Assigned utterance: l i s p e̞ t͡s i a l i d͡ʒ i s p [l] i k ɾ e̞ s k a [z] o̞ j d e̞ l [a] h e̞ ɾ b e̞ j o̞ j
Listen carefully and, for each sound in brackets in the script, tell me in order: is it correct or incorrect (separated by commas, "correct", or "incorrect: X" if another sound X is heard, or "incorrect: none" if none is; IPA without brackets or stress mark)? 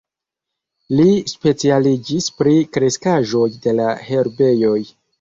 incorrect: ɾ, incorrect: ʒ, correct